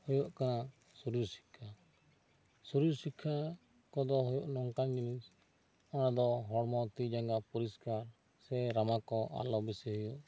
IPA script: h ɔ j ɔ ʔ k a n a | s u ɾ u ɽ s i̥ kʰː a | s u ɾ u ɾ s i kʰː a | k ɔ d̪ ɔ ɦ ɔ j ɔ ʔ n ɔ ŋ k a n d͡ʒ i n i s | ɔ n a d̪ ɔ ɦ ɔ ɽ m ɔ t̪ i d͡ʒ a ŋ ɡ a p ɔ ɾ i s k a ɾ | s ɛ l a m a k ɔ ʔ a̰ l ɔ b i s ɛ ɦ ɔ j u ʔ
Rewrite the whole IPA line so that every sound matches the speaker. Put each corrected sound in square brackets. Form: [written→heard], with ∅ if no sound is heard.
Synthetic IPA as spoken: h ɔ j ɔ ʔ k a n a | s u ɾ u [ɽ→ɾ] s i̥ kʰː a | s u ɾ u ɾ s i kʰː a | k ɔ d̪ ɔ ɦ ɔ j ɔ ʔ n ɔ ŋ k a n d͡ʒ i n i s | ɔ n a d̪ ɔ ɦ ɔ ɽ m ɔ t̪ i d͡ʒ a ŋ ɡ a p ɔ ɾ i s k a ɾ | s ɛ [l→ɾ] a m a k ɔ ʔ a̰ l ɔ b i s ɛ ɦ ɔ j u ʔ

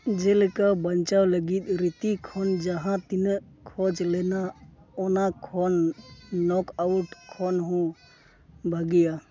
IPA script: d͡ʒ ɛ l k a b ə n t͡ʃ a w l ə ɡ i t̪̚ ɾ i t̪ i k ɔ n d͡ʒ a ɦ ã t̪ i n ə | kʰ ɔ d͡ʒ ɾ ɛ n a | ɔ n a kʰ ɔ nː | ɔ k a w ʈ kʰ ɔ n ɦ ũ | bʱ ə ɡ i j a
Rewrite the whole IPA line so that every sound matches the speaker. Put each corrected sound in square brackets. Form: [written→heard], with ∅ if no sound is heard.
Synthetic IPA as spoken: d͡ʒ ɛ l k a b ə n t͡ʃ a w l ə ɡ i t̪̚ ɾ i t̪ i [k→kʰ] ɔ n d͡ʒ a ɦ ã t̪ i n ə | kʰ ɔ d͡ʒ [ɾ→l] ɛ n a | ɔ n a kʰ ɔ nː | ɔ k a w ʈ kʰ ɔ n ɦ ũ | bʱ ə ɡ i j a

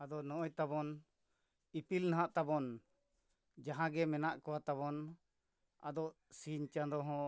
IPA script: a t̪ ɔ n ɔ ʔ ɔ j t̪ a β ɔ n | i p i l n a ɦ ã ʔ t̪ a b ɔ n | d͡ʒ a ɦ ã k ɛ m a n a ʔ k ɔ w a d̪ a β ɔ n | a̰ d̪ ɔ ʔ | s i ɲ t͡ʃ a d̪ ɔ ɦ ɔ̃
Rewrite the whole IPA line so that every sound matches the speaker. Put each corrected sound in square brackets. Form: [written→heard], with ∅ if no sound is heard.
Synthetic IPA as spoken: a [t̪→d̪] ɔ n ɔ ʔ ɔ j t̪ a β ɔ n | i p i l n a ɦ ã ʔ t̪ a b ɔ n | d͡ʒ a ɦ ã [k→ɡ] ɛ m [a→ɛ] n a ʔ k ɔ w a [d̪→t̪] a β ɔ n | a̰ d̪ ɔ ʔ | s i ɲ t͡ʃ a d̪ ɔ ɦ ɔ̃

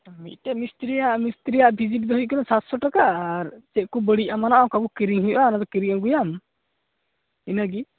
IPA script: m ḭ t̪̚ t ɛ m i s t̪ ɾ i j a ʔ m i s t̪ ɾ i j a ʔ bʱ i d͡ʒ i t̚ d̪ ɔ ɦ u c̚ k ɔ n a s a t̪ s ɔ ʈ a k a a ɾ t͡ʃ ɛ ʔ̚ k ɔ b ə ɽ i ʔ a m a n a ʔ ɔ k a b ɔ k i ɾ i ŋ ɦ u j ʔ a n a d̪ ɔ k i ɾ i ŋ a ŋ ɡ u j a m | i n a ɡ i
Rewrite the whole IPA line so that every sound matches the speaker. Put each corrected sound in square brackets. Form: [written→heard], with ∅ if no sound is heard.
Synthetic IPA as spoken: m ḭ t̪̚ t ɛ m i s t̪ ɾ i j a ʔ m i s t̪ ɾ i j a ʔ bʱ i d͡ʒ i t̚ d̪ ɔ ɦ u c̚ k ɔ n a s a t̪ s ɔ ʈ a k a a ɾ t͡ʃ ɛ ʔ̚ k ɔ b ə ɽ i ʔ a m a n a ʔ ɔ k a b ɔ k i ɾ i ŋ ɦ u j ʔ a n a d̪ ɔ k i ɾ i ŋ a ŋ ɡ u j a m | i n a ɡ i

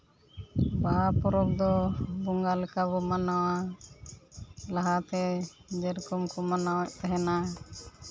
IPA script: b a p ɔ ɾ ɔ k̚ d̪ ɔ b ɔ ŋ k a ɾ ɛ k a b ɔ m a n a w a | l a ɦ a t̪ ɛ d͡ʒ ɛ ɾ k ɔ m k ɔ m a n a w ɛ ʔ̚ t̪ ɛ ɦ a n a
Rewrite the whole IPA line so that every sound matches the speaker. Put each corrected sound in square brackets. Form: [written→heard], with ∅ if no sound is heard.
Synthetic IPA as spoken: b a p ɔ ɾ ɔ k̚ d̪ ɔ b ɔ ŋ [k→ɡ] a [ɾ→l] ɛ k a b ɔ m a n a w a | l a ɦ a t̪ ɛ d͡ʒ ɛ ɾ k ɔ m k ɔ m a n a w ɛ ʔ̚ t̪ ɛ ɦ [a→ɛ] n a

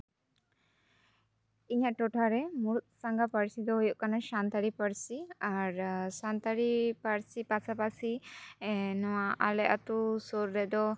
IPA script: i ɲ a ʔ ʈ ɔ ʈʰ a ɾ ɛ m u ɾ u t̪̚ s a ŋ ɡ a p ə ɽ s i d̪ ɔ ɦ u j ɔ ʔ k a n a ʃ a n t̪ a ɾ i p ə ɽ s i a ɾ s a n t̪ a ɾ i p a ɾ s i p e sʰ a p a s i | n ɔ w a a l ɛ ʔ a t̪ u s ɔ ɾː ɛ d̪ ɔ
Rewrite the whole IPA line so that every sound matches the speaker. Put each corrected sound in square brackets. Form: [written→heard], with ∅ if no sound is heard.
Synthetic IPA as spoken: i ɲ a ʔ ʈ ɔ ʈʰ a ɾ ɛ m u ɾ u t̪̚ s a ŋ ɡ a p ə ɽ s i d̪ ɔ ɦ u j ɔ ʔ k a n a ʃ a n t̪ a ɾ i p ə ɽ s i a ɾ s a n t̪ a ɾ i p a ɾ s i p [e→a] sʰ a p a s i | n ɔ w a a l ɛ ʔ a t̪ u s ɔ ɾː ɛ d̪ ɔ

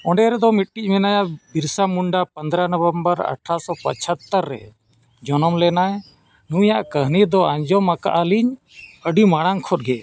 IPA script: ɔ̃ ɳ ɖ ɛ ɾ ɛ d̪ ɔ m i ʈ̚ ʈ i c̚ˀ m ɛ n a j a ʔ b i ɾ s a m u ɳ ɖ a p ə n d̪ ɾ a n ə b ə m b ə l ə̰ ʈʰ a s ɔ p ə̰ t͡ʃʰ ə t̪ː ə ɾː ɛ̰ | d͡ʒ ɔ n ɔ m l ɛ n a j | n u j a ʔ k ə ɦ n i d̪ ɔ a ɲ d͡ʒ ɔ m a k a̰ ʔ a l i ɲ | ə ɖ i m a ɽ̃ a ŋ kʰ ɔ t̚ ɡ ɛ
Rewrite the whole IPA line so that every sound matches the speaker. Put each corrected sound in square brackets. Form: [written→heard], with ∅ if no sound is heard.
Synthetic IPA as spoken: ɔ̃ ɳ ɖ ɛ ɾ ɛ d̪ ɔ m i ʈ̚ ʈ i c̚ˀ m ɛ n a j a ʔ b i ɾ s a m u ɳ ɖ a p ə n d̪ ɾ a n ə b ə m b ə [l→ɾ] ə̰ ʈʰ a s ɔ p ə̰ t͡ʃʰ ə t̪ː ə ɾː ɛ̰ | d͡ʒ ɔ n ɔ m l ɛ n a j | n u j a ʔ k ə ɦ n i d̪ ɔ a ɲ d͡ʒ ɔ m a k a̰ ʔ a l i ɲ | ə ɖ i m a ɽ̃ a ŋ kʰ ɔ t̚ ɡ ɛ

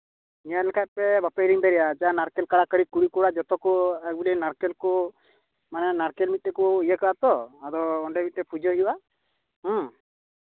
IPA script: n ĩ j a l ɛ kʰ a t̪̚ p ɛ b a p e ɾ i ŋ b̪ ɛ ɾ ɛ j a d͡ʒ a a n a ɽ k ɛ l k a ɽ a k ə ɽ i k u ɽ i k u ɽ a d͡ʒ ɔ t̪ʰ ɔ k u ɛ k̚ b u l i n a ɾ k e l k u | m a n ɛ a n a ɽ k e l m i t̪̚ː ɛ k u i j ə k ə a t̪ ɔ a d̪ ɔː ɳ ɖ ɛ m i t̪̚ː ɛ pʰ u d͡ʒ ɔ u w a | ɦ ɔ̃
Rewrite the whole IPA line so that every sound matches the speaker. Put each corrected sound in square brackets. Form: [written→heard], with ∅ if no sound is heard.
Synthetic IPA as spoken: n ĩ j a l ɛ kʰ a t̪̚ p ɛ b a p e ɾ i ŋ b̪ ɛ ɾ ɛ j a d͡ʒ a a n a [ɽ→ɾ] k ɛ l k a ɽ a k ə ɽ i k u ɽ i k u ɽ a d͡ʒ ɔ [t̪ʰ→t̪] ɔ k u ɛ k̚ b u l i n a ɾ k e l k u | m a n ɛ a n a [ɽ→ɾ] k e l m i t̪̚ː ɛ k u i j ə k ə a t̪ ɔ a d̪ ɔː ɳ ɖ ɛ m i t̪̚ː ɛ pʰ u d͡ʒ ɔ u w a | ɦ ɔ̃

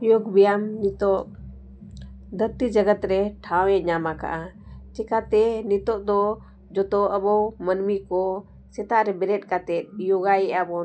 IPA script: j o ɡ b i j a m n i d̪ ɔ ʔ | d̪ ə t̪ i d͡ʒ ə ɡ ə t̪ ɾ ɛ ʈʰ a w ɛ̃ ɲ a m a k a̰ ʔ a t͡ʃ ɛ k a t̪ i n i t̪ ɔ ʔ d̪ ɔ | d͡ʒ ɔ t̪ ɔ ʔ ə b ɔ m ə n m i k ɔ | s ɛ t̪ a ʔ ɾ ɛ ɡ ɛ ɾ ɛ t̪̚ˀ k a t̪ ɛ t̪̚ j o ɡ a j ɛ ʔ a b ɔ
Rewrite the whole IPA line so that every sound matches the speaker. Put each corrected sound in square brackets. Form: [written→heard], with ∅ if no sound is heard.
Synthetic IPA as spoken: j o ɡ b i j a m n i [d̪→t̪] ɔ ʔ | d̪ ə t̪ i d͡ʒ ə ɡ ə t̪ ɾ ɛ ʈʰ a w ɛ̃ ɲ a m a k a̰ ʔ a t͡ʃ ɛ k a t̪ [i→ɛ] n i t̪ ɔ ʔ d̪ ɔ | d͡ʒ ɔ t̪ ɔ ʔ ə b ɔ m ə n m i k ɔ | s ɛ t̪ a ʔ ɾ ɛ [ɡ→b] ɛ ɾ ɛ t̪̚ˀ k a t̪ ɛ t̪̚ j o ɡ a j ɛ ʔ a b ɔ

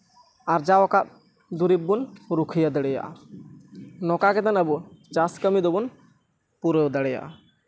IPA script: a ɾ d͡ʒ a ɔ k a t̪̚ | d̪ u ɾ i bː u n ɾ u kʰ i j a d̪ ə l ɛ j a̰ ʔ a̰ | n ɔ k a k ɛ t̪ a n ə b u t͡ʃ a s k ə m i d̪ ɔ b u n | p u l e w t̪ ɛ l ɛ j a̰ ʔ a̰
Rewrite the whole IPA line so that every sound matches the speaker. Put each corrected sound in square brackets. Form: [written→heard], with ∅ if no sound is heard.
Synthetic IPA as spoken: a ɾ d͡ʒ a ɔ k a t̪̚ | d̪ u ɾ i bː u n ɾ u kʰ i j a d̪ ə [l→ɽ] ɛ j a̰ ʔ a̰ | n ɔ k a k ɛ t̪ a n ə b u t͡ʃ a s k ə m i d̪ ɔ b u n | p u [l→ɾ] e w [t̪→d̪] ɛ [l→ɽ] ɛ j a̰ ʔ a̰

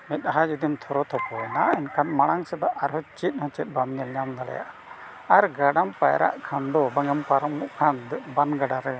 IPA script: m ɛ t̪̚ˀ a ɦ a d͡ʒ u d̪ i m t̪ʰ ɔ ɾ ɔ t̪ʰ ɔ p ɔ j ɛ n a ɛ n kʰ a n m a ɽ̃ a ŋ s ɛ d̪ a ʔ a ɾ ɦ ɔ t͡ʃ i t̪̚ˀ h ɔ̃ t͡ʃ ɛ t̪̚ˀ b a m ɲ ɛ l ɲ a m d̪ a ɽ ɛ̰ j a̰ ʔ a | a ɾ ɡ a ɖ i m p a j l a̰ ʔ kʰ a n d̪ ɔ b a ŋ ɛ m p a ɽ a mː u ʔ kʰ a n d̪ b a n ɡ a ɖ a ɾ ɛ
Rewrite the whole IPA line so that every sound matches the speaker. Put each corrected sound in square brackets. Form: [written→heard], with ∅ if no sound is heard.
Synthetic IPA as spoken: m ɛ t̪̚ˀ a ɦ a d͡ʒ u d̪ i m t̪ʰ ɔ ɾ ɔ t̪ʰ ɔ p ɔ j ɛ n a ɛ n kʰ a n m a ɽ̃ a ŋ s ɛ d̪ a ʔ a ɾ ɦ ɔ t͡ʃ i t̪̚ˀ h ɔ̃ t͡ʃ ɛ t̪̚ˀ b a m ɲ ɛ l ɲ a m d̪ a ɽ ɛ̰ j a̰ ʔ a | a ɾ ɡ a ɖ [i→a] m p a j [l→ɾ] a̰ ʔ kʰ a n d̪ ɔ b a ŋ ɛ m p a [ɽ→ɾ] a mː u ʔ kʰ a n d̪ b a n ɡ a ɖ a ɾ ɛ

